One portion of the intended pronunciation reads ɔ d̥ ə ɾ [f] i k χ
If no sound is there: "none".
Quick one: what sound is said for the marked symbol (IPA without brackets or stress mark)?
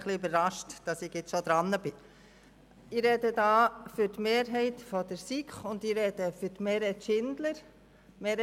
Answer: s